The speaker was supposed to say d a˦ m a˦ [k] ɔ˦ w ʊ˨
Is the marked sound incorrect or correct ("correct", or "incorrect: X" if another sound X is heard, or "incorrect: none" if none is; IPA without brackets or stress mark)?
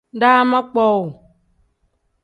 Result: incorrect: k͡p